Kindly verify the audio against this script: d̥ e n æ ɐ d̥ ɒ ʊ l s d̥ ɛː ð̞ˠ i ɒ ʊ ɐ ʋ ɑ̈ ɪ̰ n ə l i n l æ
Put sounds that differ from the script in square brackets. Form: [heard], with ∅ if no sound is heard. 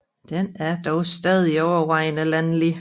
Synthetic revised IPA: d̥ e n æ ɐ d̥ ɒ ʊ [∅] s d̥ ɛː ð̞ˠ i ɒ ʊ ɐ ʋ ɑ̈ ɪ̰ n ə l [æ] n l [i]